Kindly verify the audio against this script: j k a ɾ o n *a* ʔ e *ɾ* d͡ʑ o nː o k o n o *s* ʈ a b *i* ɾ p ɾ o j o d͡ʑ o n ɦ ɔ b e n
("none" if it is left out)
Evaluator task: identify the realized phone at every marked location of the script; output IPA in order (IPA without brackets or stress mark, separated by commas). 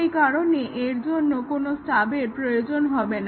e, ɾ, s, e